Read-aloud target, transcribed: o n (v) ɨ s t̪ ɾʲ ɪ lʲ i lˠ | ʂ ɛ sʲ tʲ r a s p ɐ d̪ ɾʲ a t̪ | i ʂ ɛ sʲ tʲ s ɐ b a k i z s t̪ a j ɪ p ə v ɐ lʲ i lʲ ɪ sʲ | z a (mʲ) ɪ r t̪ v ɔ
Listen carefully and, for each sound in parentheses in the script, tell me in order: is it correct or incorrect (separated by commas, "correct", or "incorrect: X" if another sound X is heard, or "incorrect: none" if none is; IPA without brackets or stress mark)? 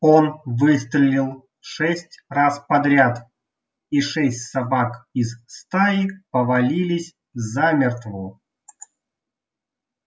correct, correct